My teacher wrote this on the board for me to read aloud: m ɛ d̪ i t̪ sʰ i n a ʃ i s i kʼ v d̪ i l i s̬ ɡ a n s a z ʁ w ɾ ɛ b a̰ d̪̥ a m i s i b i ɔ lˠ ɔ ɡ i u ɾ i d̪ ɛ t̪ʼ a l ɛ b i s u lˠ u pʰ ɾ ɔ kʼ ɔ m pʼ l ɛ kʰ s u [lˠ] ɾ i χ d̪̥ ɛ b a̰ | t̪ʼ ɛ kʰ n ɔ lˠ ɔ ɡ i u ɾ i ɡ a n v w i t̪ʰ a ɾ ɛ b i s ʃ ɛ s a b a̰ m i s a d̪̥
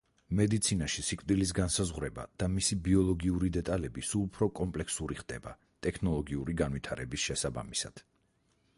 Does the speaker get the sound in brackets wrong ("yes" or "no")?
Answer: yes